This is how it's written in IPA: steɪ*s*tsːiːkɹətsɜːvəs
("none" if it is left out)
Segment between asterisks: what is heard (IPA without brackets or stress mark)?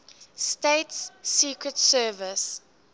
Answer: none